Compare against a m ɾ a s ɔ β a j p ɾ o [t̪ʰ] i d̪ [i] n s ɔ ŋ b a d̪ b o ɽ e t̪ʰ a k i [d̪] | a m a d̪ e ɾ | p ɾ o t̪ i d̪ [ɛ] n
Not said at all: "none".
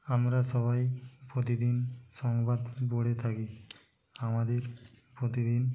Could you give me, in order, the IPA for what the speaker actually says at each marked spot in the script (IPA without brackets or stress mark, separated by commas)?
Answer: t̪, i, none, i